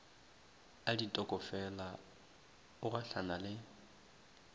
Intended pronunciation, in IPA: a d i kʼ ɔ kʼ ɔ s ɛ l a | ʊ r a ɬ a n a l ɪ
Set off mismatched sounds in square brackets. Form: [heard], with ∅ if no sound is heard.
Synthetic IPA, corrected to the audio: a d i [tʼ] ɔ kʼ ɔ [f] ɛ l a | ʊ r a ɬ a n a l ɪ